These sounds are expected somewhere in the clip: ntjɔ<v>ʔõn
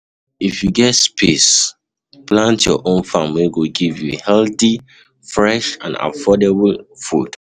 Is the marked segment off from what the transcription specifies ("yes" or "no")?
yes